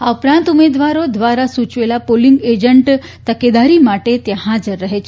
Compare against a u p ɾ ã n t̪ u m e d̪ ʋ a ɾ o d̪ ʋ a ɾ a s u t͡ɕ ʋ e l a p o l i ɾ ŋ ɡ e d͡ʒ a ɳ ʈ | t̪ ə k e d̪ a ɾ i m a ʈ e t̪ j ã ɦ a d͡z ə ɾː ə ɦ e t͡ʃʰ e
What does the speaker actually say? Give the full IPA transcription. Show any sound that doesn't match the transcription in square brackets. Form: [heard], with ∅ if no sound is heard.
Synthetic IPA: a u p ɾ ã n t̪ u m e d̪ ʋ a ɾ o d̪ ʋ a ɾ a s u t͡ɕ ʋ e l a p o l i [∅] ŋ ɡ e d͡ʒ [ə] ɳ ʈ | t̪ ə k e d̪ a ɾ i m a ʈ e t̪ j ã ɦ a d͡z ə ɾː ə ɦ e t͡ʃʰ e